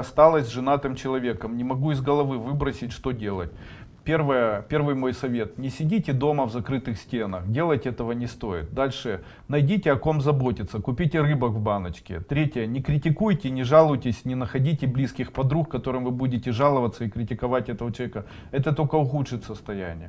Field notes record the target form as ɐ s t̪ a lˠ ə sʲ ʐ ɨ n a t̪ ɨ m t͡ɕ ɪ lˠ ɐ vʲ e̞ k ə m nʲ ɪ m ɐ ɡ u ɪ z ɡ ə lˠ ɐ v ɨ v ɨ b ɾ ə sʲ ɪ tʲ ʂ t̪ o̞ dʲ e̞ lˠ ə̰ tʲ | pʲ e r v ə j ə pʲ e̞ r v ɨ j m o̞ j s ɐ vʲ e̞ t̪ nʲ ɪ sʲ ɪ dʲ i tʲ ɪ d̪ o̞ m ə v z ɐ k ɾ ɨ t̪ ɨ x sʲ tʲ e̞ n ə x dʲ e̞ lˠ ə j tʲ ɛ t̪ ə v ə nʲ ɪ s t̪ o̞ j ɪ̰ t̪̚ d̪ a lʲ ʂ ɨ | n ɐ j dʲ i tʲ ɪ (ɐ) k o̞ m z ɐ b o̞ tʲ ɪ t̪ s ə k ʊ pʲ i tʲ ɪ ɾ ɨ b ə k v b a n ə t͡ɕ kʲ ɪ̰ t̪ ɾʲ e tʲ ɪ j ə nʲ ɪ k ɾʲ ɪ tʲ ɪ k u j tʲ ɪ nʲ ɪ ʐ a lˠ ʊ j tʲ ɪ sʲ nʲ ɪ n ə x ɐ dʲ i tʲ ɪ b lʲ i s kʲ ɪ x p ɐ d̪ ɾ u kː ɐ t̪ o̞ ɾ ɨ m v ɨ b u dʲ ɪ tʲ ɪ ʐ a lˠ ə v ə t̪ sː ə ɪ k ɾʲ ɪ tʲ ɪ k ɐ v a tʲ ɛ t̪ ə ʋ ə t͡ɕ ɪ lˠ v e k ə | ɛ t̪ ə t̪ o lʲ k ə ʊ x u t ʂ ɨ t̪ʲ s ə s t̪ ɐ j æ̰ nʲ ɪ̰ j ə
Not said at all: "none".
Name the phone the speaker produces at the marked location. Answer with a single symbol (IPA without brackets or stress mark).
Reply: ɐ